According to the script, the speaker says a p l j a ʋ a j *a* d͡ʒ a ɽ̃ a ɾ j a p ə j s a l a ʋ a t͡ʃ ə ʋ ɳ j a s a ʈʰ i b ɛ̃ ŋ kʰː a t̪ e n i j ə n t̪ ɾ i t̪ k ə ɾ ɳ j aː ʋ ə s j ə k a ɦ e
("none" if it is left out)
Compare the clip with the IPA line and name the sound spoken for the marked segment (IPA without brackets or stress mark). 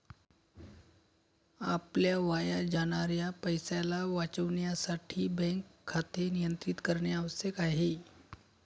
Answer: a